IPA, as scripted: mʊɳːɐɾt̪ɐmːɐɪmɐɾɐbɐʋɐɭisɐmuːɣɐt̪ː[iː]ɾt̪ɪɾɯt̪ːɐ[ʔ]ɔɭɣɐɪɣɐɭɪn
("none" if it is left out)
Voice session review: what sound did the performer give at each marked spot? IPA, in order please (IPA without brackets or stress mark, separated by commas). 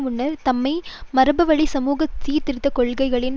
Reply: iː, k